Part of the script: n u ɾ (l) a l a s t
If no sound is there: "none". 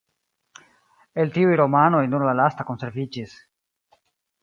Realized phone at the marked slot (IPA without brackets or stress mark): l